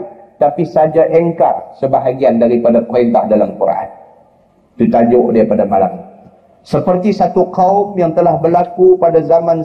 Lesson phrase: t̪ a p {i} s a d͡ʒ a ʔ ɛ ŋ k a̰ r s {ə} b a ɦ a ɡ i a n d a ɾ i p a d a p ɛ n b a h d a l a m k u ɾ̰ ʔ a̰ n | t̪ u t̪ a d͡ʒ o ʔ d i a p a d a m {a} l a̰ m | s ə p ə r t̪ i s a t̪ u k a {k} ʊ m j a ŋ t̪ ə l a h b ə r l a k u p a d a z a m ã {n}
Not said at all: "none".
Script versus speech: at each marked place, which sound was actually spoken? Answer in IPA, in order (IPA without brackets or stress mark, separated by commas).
i, ə, a, none, n